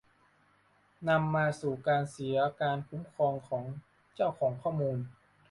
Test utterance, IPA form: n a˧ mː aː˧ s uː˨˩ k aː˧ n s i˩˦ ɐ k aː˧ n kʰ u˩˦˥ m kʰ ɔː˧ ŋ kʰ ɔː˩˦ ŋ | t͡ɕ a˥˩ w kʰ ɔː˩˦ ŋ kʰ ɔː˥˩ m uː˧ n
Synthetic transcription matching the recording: n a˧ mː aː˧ s uː˨˩ k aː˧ n s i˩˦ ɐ k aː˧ n kʰ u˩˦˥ m kʰ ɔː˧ ŋ kʰ ɔː˩˦ ŋ | t͡ɕ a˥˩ w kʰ ɔː˩˦ ŋ kʰ ɔː˥˩ m uː˧ n